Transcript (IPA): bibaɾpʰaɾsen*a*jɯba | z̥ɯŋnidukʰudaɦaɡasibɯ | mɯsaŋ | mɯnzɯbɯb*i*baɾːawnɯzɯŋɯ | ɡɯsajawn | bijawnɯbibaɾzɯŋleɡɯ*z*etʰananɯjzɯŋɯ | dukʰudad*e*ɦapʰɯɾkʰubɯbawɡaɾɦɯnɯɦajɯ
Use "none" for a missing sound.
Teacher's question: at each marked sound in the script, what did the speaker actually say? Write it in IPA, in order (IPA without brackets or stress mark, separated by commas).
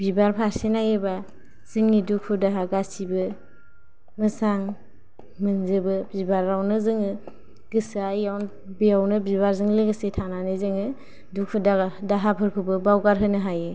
a, i, s, a